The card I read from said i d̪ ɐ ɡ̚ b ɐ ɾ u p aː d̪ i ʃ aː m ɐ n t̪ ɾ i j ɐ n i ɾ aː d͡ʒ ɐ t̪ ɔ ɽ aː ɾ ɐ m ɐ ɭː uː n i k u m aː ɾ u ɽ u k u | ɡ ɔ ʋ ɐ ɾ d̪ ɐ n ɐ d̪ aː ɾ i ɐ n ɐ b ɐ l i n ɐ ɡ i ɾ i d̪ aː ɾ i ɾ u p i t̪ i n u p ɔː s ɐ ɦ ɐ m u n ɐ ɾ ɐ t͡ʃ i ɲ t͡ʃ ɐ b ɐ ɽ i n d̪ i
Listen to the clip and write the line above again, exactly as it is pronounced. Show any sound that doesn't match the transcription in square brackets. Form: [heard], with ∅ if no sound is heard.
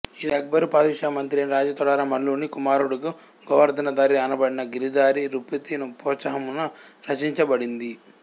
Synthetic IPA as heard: i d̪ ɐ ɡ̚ b ɐ ɾ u p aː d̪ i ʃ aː m ɐ n t̪ ɾ i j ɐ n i ɾ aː d͡ʒ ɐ t̪ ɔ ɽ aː ɾ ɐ m ɐ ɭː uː n i k u m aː ɾ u ɽ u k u | ɡ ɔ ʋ ɐ ɾ d̪ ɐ n ɐ d̪ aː ɾ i ɐ n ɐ b ɐ [ɽ] i n ɐ ɡ i ɾ i d̪ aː ɾ i ɾ u p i t̪ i n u p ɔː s ɐ ɦ ɐ m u n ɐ ɾ ɐ t͡ʃ i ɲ t͡ʃ ɐ b ɐ ɽ i n d̪ i